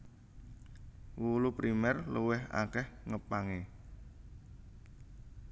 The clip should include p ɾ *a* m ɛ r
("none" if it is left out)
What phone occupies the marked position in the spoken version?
i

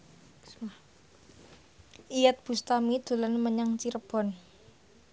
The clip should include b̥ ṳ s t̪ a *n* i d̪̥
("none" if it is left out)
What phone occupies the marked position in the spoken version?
m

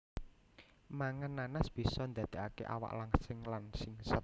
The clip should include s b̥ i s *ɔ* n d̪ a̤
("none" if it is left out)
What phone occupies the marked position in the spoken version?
ɔ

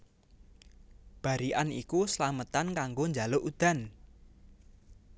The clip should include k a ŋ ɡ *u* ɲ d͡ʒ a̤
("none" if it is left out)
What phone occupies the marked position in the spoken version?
o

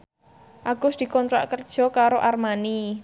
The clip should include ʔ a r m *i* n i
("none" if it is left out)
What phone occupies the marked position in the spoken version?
a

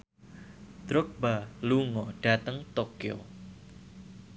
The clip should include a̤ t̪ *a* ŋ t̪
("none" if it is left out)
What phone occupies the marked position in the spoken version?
ə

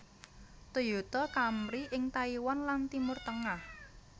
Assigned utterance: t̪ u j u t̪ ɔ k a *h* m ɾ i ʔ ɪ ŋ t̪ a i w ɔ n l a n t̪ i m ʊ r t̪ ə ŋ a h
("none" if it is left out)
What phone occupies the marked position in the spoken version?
none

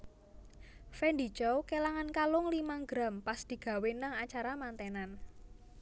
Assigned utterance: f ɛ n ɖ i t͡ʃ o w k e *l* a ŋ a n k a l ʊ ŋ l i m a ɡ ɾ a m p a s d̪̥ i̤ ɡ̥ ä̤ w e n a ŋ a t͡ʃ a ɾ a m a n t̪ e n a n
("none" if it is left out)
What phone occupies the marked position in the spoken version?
l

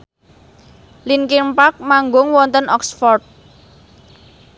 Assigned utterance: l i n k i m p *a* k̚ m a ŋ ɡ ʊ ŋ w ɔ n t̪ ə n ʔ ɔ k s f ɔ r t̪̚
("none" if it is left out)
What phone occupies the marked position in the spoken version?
a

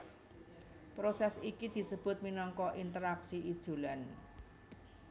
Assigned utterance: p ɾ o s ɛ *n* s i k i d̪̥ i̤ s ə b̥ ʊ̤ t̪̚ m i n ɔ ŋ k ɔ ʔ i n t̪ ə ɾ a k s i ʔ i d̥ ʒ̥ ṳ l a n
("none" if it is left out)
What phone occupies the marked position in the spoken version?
none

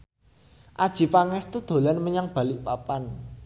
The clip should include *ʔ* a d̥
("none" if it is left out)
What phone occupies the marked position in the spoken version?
ʔ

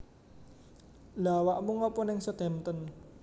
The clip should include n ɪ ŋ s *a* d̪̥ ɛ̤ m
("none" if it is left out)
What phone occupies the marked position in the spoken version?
ə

